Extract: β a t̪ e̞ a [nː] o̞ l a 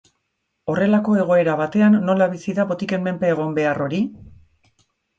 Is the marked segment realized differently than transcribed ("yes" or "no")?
no